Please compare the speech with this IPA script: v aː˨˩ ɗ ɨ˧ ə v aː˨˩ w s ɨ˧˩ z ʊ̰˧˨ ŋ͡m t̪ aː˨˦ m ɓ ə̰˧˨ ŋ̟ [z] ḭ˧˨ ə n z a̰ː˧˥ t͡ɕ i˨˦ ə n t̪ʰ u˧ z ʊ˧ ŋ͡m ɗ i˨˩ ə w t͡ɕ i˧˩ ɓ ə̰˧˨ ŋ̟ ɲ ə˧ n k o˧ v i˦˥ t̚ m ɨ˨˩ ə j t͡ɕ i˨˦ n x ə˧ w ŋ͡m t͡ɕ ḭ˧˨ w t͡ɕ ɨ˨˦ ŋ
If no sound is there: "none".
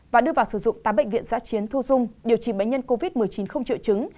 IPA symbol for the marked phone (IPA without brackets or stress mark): v